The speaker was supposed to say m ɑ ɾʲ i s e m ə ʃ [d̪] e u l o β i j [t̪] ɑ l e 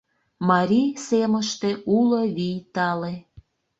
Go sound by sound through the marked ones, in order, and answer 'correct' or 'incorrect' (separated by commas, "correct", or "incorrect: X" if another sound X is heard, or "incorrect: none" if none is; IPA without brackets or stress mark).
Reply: incorrect: t̪, correct